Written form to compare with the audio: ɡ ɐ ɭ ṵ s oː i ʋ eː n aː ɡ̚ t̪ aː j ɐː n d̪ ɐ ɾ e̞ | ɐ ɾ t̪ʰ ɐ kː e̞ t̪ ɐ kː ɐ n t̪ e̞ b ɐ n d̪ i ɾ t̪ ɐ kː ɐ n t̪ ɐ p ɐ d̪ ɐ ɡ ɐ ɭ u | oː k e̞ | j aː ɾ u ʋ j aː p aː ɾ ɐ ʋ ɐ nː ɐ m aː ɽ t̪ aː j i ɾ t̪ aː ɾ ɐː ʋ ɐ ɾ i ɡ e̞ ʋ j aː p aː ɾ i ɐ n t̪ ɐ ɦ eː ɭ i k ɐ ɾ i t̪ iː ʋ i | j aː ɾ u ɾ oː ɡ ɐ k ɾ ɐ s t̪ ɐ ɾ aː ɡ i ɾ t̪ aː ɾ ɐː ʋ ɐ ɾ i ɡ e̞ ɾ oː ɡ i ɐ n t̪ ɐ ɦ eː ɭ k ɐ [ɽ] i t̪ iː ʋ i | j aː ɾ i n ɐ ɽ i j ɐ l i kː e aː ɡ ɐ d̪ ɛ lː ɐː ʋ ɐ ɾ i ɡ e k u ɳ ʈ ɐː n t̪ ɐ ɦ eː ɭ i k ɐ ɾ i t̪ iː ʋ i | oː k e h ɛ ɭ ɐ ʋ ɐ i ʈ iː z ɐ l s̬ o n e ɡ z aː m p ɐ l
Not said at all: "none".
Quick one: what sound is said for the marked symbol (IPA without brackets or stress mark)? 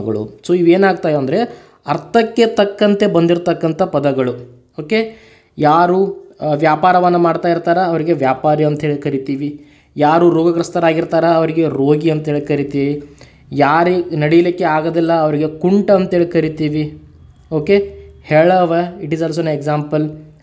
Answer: ɾ